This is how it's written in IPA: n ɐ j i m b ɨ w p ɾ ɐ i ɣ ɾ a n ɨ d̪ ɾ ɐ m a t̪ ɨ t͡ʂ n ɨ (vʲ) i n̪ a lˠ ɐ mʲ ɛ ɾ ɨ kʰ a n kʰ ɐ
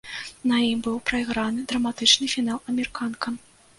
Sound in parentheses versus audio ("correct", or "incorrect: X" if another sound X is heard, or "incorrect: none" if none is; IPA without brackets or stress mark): incorrect: fʲ